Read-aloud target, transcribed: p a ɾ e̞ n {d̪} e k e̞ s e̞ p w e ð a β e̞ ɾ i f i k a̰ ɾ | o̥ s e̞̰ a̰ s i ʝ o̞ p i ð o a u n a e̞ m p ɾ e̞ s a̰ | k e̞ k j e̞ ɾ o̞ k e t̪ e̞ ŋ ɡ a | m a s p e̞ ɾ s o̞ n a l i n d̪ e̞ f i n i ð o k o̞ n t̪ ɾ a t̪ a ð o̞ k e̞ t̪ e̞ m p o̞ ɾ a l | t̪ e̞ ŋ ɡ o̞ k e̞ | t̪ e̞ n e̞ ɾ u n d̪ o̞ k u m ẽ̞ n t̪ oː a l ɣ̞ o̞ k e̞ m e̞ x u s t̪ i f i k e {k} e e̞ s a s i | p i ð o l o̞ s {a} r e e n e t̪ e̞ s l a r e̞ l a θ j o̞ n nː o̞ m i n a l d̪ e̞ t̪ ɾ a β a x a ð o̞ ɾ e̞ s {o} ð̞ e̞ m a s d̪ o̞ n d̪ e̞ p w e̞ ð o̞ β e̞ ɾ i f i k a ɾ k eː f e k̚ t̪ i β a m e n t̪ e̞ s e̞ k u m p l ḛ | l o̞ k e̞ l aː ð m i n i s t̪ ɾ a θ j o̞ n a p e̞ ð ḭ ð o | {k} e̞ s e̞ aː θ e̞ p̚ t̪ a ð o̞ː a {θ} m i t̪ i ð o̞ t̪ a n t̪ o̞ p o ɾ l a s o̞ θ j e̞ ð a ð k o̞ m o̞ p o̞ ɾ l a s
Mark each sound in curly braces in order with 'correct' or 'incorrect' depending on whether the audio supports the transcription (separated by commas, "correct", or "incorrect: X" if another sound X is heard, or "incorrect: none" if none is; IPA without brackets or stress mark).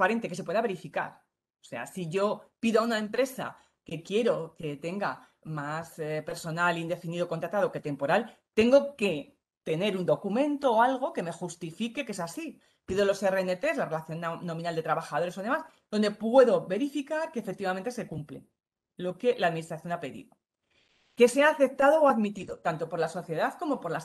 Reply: incorrect: t̪, correct, incorrect: e, correct, correct, incorrect: ð